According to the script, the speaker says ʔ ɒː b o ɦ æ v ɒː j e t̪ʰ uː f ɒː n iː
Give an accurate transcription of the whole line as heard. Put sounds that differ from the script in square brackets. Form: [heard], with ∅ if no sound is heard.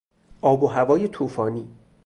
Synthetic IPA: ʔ ɒː b o ɦ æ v ɒː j e t̪ʰ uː f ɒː n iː